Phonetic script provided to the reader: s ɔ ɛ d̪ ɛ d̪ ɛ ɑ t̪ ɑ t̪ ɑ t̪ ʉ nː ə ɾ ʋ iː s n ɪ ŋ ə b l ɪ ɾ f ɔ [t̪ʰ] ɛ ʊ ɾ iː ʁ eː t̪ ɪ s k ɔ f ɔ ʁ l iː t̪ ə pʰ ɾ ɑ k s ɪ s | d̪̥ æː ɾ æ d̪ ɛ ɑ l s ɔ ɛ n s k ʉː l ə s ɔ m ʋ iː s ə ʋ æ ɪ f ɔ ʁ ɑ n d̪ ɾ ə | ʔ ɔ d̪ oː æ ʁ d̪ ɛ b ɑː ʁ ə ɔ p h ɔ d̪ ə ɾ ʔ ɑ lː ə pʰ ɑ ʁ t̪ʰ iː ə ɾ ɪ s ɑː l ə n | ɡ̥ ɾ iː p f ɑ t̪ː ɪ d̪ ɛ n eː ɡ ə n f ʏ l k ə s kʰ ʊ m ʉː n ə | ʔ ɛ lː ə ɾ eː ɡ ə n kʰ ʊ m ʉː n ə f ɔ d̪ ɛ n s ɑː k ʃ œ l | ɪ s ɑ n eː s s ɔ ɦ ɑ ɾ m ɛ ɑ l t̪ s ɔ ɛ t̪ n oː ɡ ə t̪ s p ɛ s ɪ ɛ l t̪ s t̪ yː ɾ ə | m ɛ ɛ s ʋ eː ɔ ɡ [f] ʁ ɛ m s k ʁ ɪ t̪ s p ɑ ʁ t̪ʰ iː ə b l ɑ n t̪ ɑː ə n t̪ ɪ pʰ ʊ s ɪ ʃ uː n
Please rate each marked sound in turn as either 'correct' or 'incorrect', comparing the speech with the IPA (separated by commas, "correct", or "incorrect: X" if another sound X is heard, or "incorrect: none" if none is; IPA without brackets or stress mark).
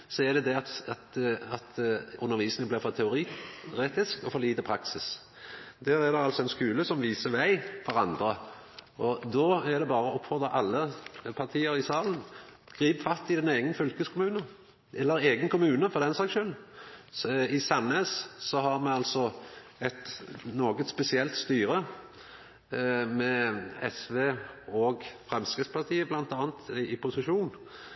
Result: correct, correct